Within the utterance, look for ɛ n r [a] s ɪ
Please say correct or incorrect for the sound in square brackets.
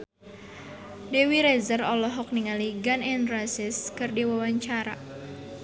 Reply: correct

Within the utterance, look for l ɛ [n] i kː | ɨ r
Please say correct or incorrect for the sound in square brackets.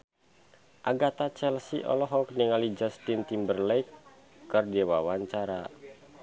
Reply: incorrect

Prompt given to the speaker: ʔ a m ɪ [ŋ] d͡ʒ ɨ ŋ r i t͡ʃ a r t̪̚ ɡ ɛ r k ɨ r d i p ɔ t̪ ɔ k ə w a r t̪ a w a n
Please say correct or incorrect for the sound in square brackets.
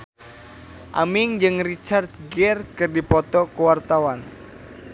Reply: correct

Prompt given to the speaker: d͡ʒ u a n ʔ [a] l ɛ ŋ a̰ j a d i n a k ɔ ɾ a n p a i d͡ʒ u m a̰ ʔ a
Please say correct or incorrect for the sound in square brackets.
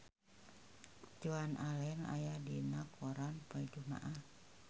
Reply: correct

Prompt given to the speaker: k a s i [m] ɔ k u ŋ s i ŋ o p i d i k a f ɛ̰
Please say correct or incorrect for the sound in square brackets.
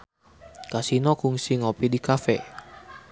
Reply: incorrect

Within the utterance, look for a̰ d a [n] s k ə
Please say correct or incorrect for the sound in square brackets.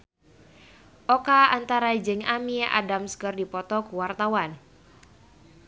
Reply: incorrect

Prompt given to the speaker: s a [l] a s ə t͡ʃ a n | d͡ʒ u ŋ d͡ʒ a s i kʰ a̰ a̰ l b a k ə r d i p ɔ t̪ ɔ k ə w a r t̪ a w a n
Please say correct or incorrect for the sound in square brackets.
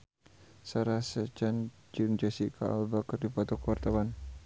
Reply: incorrect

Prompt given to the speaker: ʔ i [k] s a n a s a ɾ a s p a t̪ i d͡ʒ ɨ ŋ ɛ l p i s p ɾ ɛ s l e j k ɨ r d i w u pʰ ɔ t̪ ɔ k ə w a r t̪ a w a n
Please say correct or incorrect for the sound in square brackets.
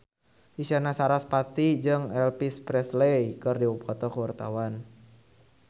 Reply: incorrect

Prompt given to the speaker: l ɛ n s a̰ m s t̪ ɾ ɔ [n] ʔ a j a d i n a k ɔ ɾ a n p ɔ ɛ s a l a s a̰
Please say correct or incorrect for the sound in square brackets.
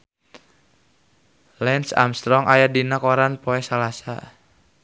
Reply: incorrect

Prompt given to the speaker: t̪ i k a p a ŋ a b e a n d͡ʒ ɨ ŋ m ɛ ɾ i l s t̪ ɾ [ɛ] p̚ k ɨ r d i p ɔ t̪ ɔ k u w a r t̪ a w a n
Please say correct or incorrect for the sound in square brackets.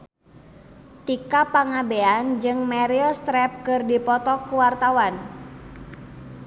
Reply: correct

